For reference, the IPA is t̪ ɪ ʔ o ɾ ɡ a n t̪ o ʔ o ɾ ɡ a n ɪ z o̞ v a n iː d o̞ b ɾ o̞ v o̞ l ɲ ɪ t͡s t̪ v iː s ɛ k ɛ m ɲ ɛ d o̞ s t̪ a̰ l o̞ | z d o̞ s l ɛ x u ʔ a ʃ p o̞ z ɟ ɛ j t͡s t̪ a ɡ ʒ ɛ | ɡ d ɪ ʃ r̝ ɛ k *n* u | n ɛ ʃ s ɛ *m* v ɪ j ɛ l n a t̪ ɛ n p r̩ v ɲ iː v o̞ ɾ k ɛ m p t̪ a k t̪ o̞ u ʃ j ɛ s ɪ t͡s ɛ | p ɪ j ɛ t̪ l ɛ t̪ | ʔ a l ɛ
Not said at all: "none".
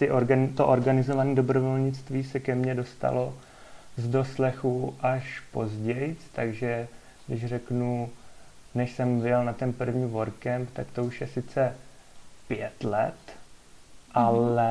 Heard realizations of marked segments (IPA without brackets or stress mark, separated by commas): n, m